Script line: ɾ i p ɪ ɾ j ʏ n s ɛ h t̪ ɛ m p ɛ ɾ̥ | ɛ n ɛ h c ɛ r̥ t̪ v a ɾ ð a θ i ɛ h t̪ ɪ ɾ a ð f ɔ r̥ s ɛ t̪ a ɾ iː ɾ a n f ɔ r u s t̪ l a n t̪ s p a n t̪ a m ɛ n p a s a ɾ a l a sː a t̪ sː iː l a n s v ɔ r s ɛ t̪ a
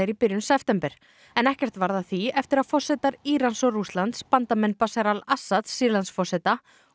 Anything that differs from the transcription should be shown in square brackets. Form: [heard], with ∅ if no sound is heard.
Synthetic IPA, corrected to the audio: ɾ i p ɪ ɾ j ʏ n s ɛ [f] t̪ ɛ m p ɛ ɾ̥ | ɛ n ɛ h c ɛ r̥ t̪ v a ɾ ð a θ i ɛ [f] t̪ ɪ ɾ a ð f ɔ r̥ s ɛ t̪ a ɾ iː ɾ a n [s] ɔ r u s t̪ l a n t̪ s p a n t̪ a m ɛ n p a s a ɾ a l a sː a t̪ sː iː l a n s [f] ɔ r s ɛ t̪ a